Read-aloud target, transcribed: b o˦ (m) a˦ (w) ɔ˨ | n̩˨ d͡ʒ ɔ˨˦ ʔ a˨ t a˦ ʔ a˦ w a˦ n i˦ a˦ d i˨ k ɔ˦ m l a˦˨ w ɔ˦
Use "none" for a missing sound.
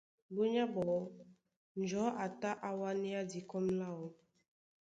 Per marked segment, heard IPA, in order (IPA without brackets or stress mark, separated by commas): ɲ, b